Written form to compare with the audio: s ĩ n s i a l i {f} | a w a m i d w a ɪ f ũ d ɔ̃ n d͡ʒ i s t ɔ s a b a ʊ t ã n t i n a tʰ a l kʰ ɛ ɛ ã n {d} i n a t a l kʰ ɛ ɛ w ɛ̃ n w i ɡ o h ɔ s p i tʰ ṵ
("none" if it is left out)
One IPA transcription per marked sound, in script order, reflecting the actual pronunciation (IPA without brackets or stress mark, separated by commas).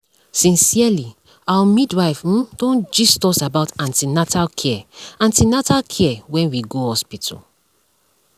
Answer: none, t